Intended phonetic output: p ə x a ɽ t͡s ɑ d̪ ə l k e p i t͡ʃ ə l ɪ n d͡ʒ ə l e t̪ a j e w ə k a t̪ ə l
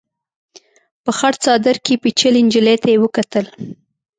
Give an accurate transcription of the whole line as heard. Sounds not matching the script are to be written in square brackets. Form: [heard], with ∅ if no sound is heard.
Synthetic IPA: p ə x a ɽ t͡s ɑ d̪ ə [ɾ] k e p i t͡ʃ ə l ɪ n d͡ʒ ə l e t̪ a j e w ə k a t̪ ə l